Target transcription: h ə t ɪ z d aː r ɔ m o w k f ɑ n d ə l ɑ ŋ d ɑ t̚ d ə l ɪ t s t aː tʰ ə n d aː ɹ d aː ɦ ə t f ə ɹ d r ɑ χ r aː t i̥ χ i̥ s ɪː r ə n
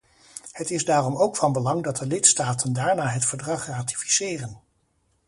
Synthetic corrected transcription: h ə t ɪ z d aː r ɔ m o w k f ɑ n b ə l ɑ ŋ d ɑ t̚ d ə l ɪ t s t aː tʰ ə n d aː ɹ n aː ɦ ə t f ə ɹ d r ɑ χ r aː t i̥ f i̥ s ɪː r ə n

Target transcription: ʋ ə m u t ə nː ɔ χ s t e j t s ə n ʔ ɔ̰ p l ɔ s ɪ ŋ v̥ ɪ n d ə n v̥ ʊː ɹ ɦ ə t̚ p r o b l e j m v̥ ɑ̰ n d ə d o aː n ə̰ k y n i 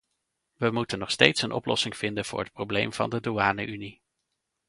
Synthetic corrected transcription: ʋ ə m u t ə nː ɔ χ s t e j t s ə n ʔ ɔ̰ p l ɔ s ɪ ŋ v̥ ɪ n d ə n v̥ ʊː ɹ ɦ ə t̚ p r o b l e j m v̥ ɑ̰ n d ə d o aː n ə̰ ʔ y n i

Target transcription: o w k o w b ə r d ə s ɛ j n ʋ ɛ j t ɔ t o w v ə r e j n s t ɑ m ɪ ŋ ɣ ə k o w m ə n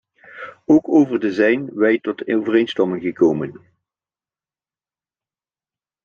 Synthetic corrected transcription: o w k o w v ə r d ə z ɛ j n ʋ ɛ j t ɔ t o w v ə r e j n s t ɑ m ɪ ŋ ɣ ə k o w m ə n

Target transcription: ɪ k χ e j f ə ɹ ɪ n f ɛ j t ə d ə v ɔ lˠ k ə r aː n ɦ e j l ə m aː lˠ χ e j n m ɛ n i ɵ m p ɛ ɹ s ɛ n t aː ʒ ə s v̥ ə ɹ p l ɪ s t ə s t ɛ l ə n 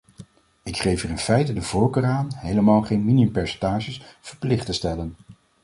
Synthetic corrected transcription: ɪ k χ e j f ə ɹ ɪ n f ɛ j t ə d ə v ɔ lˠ k ə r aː n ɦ e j l ə m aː lˠ χ e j n m i n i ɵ m p ɛ ɹ s ɛ n t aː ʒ ə s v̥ ə ɹ p l ɪ χ t ə s t ɛ l ə n

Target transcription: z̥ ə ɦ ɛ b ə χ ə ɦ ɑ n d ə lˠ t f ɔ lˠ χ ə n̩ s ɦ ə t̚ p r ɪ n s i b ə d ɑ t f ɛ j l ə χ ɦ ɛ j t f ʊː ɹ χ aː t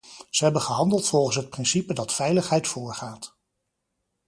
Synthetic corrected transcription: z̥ ə ɦ ɛ b ə χ ə ɦ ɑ n d ə lˠ t f ɔ lˠ χ ə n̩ s ɦ ə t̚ p r ɪ n s i p ə d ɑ t f ɛ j l ə χ ɦ ɛ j t f ʊː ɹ χ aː t

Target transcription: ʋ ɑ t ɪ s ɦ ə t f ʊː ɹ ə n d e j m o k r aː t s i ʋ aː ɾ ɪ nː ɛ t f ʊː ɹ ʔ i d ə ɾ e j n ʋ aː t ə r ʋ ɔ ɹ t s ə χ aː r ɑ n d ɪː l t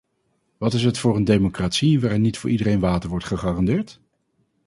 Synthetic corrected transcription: ʋ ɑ t ɪ s ɦ ə t f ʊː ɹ ə n d e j m o k r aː t s i ʋ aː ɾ ɪ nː i t f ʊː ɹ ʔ i d ə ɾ e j n ʋ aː t ə ɹ ʋ ɔ ɹ t χ ə χ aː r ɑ n d ɪː ɹ t

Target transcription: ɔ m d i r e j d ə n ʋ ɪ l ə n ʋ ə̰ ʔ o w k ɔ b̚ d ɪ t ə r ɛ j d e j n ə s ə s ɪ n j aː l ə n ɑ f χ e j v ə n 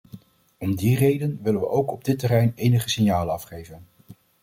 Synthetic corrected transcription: ɔ m d i r e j d ə n ʋ ɪ l ə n ʋ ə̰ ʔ o w k ɔ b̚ d ɪ t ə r ɛ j n e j n ə χ ə s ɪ n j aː l ə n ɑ f χ e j v ə n

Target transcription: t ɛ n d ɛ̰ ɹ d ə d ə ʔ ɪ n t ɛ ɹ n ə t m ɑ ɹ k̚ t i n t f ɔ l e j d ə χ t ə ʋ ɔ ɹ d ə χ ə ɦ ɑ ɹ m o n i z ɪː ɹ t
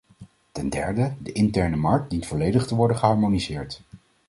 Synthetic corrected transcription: t ɛ n d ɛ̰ ɹ d ə d ə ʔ ɪ n t ɛ ɹ n ə m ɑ ɹ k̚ d i n t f ɔ l e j d ə χ t ə ʋ ɔ ɹ d ə χ ə ɦ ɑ ɹ m o n i z ɪː ɹ t

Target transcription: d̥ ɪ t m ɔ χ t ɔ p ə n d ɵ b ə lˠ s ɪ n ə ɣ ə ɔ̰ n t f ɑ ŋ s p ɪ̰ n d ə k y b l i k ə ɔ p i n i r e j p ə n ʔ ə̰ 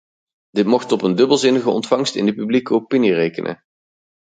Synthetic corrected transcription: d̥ ɪ t m ɔ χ t ɔ p ə n d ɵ b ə lˠ z ɪ n ə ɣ ə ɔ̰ n t f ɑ ŋ s t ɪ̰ n d ə p y b l i k ə o p i n i r e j k ə n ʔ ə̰

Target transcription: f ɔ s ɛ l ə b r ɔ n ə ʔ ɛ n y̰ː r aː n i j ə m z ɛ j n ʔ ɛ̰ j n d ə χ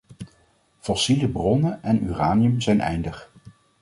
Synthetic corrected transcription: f ɔ s i l ə b r ɔ n ə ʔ ɛ n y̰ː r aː n i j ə m z ɛ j n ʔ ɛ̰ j n d ə χ

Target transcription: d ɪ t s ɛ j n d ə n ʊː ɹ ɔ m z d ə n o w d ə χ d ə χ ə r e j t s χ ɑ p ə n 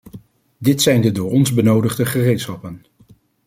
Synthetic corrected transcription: d ɪ t s ɛ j n d ə d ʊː ɹ ɔ n z b ə n o w d ə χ d ə χ ə r e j t s χ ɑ p ə n

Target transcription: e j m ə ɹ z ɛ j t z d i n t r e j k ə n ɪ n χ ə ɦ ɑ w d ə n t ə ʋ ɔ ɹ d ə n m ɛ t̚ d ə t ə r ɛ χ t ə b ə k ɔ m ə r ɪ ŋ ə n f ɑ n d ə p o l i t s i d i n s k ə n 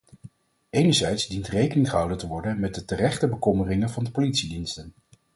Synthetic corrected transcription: e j n ə ɹ z ɛ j t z d i n t r e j k ə n ɪ ŋ χ ə ɦ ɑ w d ə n t ə ʋ ɔ ɹ d ə n m ɛ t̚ d ə t ə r ɛ χ t ə b ə k ɔ m ə r ɪ ŋ ə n v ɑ n d ə p o l i t s i d i n s t ə n

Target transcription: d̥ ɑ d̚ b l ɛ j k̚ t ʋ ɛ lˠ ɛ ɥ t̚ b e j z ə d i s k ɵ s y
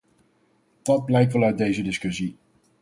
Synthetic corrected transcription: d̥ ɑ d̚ b l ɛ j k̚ t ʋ ɛ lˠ œ ɥ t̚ d e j z ə d ɪ s k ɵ s i

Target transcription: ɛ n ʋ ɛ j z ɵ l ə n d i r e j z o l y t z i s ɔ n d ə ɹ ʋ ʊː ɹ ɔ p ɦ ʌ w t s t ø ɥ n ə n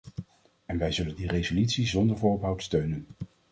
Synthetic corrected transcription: ɛ n ʋ ɛ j z ɵ l ə n d i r e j z o l y t s i z ɔ n d ə ɹ v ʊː ɹ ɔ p ɦ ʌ w t s t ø ɥ n ə n

